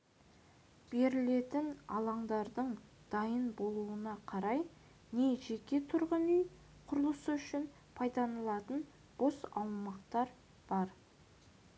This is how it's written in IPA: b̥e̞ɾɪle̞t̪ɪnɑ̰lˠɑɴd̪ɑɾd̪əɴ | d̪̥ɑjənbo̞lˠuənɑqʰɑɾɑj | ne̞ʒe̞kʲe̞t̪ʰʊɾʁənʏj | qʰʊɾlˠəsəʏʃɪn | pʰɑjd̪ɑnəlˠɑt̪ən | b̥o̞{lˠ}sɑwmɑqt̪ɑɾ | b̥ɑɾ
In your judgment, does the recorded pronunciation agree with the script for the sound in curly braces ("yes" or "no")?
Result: no